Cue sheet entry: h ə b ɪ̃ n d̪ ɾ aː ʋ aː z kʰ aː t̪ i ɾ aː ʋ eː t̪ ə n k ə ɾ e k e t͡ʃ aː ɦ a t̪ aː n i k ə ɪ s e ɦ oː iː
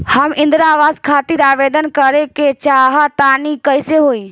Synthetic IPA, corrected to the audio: h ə m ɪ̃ n d̪ ɾ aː ʋ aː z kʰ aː t̪ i ɾ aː ʋ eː d̪ ə n k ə ɾ e k e t͡ʃ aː ɦ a t̪ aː n i k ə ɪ s e ɦ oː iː